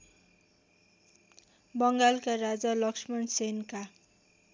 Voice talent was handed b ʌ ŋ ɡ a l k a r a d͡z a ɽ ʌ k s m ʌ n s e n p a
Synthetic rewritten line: b ʌ ŋ ɡ a l k a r a d͡z a l ʌ k s m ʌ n s e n k a